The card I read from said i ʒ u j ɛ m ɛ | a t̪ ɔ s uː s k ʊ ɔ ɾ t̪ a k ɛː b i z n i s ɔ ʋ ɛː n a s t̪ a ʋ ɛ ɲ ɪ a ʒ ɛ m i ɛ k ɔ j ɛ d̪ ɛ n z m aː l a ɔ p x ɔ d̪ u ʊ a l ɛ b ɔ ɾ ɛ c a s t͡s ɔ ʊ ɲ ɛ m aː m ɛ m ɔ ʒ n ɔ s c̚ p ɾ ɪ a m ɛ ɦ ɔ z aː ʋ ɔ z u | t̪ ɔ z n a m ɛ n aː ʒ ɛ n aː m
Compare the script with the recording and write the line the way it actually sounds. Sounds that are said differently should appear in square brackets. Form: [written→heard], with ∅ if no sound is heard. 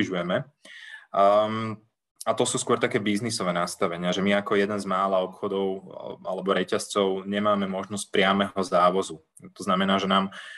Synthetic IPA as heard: i ʒ u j ɛ m ɛ | a t̪ ɔ s uː s k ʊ ɔ ɾ t̪ a k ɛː b i z n i s ɔ ʋ ɛː n a s t̪ a ʋ ɛ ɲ ɪ a ʒ ɛ m i [ɛ→a] k ɔ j ɛ d̪ ɛ n z m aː l a ɔ p x ɔ d̪ [u→ɔ] ʊ a l ɛ b ɔ ɾ ɛ c a s t͡s ɔ ʊ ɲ ɛ m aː m ɛ m ɔ ʒ n ɔ s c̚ p ɾ ɪ a m ɛ ɦ ɔ z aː ʋ ɔ z u | t̪ ɔ z n a m ɛ n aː ʒ ɛ n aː m